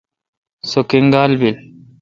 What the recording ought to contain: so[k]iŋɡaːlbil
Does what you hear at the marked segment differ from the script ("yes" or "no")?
no